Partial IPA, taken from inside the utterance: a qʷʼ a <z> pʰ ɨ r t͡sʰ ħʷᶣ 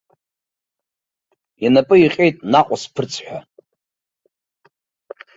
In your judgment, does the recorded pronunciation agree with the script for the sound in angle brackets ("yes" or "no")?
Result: no